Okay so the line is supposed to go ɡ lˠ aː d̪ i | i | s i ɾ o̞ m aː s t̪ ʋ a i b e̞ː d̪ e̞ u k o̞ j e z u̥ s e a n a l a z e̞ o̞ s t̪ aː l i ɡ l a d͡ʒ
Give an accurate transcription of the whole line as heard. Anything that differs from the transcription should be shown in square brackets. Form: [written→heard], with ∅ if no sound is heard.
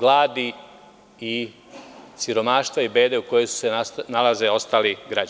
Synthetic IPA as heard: ɡ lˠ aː d̪ i | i | s i ɾ o̞ m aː [s→ʃ] t̪ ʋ a i b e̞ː d̪ e̞ u k o̞ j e [z→s] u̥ s e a n a l a z e̞ o̞ s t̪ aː l i ɡ [l→ɾ] a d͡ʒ